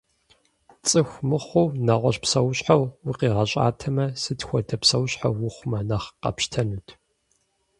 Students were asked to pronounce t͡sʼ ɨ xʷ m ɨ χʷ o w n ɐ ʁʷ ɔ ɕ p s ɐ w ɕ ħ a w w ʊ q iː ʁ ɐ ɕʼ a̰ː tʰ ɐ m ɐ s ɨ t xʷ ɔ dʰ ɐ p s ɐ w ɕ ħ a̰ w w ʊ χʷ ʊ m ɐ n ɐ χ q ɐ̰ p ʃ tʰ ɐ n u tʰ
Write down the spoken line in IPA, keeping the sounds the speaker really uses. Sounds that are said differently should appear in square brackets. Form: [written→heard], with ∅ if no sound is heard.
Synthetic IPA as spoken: t͡sʼ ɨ xʷ m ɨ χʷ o w n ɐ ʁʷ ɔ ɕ p s ɐ w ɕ ħ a w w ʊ q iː ʁ ɐ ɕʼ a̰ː tʰ ɐ m ɐ s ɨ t xʷ ɔ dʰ ɐ p s ɐ w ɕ ħ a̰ w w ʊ χʷ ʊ m ɐ n ɐ χ q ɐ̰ p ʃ tʰ ɐ n u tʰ